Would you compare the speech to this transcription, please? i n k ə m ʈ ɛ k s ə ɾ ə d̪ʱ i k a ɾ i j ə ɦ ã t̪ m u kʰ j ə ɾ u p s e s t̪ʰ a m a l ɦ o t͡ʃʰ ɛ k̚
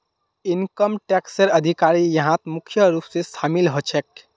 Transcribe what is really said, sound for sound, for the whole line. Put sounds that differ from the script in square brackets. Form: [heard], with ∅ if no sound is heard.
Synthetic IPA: i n k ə m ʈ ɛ k s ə ɾ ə d̪ʱ i k a ɾ i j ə ɦ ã t̪ m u kʰ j ə ɾ u p s e s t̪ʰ a m [i] l ɦ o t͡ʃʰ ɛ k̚

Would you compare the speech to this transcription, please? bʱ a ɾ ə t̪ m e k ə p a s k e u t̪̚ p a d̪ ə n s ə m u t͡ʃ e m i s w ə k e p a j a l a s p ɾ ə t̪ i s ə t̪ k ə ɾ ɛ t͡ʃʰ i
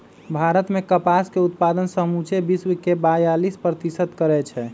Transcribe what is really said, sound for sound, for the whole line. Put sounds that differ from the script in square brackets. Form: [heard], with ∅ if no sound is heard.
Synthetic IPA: bʱ a ɾ ə t̪ m e k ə p a s k e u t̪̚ p a d̪ ə n s ə m u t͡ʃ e [b] i s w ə k e [b] a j a l [i] s p ɾ ə t̪ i s ə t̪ k ə ɾ ɛ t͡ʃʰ [ɛ]

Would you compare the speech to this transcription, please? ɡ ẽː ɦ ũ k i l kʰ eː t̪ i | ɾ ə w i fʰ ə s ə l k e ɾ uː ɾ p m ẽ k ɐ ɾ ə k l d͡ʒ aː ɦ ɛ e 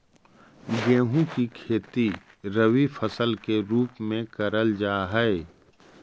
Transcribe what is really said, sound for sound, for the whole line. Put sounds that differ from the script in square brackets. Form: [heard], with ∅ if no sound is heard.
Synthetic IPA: ɡ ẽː ɦ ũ k i [∅] kʰ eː t̪ i | ɾ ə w i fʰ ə s ə l k e ɾ uː [∅] p m ẽ k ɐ ɾ ə [∅] l d͡ʒ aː ɦ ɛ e

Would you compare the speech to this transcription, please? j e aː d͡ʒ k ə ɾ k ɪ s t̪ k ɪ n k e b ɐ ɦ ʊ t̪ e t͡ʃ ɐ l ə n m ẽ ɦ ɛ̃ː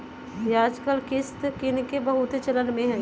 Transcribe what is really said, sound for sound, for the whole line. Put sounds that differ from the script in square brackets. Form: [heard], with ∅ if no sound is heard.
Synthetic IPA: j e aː d͡ʒ k ə [l] k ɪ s t̪ k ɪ n k e b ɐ ɦ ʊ t̪ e t͡ʃ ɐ l ə n m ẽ ɦ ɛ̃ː

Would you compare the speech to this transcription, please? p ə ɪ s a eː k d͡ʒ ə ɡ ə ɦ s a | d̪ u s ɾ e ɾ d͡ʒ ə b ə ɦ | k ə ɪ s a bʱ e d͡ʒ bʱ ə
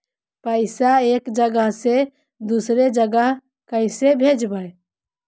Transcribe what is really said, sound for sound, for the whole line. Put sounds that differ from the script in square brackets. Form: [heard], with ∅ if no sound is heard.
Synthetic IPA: p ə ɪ s a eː k d͡ʒ ə ɡ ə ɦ s [e] | d̪ u s ɾ e [∅] d͡ʒ ə [ɡ] ə ɦ | k ə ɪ s [e] bʱ e d͡ʒ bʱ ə

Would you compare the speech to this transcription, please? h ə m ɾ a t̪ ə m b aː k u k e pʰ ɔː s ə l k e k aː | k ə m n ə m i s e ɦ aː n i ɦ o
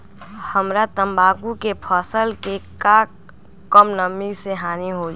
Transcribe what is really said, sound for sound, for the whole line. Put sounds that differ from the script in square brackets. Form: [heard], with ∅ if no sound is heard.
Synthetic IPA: h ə m ɾ a t̪ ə m b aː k u k e pʰ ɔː s ə l k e k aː | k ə m n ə m i s e ɦ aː n i ɦ o

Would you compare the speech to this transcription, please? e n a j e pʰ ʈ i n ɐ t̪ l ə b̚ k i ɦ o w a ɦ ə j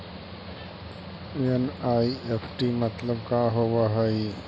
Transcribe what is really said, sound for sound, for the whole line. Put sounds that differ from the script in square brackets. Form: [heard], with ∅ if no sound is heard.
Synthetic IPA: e n a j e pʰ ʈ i [m] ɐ t̪ l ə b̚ k [a] ɦ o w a ɦ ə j

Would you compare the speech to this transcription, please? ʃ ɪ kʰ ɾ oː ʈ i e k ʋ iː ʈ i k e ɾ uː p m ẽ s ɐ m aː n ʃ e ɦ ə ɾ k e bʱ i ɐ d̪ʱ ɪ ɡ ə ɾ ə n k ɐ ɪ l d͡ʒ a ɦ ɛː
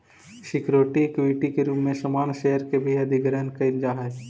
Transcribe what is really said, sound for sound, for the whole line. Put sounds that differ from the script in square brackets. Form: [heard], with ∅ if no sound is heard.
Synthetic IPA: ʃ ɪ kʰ ɾ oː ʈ i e k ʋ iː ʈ i k e ɾ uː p m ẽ s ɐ m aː n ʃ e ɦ ə ɾ k e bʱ i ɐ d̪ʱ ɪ ɡ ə ɾ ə n k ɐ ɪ l d͡ʒ a ɦ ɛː

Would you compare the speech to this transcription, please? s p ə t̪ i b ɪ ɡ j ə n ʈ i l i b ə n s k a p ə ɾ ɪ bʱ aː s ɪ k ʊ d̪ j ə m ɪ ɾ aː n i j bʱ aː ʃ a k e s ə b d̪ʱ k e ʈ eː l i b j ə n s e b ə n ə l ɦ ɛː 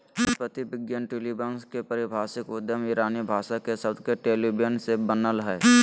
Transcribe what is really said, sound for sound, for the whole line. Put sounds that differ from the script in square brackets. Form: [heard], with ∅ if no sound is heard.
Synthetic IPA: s p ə t̪ i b ɪ ɡ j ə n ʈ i l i b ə n s k [e] p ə ɾ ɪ bʱ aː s ɪ k ʊ d̪ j ə m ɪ ɾ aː n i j bʱ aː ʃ a k e s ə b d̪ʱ k e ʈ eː l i b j ə n s e b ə n ə l ɦ ɛː

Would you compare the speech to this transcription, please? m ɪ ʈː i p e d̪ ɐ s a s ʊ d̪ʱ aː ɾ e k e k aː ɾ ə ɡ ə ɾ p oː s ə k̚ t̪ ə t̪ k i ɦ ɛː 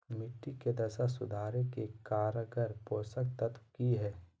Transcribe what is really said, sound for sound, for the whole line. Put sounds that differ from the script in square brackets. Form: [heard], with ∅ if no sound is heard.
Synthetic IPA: m ɪ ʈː i [k] e d̪ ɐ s a s ʊ d̪ʱ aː ɾ e k e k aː ɾ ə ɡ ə ɾ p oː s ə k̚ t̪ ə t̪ k i ɦ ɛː

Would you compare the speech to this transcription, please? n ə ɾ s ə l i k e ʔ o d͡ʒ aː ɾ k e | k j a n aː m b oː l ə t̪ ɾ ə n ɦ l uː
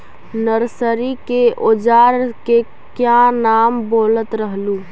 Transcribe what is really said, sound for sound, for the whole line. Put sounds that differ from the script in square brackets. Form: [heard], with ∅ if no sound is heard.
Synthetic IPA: n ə ɾ s ə [ɾ] i k e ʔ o d͡ʒ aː ɾ k e | k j a n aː m b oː l ə t̪ ɾ ə [∅] ɦ l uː

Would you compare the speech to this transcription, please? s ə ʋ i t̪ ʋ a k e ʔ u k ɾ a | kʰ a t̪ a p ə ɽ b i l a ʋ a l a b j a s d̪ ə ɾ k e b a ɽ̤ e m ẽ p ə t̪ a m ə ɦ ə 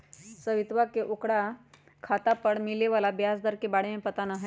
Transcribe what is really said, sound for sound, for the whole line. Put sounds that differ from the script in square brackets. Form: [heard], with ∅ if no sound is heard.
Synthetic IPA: s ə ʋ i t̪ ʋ a k e ʔ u k [ɽ] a | kʰ a t̪ a p ə ɽ [m] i l [e] ʋ a l a b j a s d̪ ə ɾ k e b a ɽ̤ e m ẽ p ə t̪ a [n] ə ɦ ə

